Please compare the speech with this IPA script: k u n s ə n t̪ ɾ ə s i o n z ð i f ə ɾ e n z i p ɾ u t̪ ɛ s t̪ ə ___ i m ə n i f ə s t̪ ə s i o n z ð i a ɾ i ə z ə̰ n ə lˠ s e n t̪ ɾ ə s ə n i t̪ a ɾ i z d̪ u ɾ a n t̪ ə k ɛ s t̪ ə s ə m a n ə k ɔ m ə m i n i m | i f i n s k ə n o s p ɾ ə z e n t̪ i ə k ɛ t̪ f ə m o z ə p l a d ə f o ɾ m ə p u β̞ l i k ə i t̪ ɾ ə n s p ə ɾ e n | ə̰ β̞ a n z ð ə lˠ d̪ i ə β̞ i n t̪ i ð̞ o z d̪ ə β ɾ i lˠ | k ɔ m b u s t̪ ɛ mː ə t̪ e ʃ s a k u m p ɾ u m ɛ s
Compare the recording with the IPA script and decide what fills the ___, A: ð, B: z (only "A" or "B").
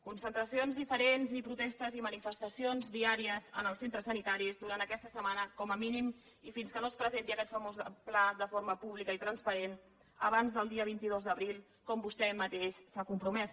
B